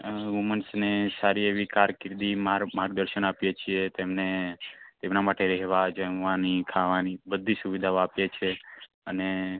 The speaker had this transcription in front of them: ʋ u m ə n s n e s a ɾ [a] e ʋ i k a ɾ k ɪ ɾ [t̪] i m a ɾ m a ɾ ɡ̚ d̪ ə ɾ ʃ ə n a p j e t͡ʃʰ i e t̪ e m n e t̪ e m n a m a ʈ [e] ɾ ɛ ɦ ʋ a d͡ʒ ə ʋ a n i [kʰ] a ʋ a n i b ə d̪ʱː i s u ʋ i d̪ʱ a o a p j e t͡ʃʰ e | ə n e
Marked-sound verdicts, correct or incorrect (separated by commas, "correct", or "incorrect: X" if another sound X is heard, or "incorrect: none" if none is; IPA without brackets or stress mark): incorrect: i, incorrect: d̪, correct, correct